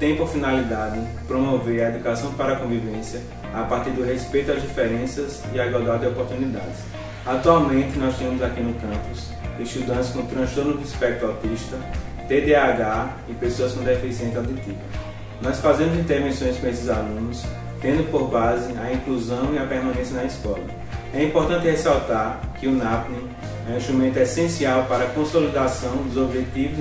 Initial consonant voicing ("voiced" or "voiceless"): voiceless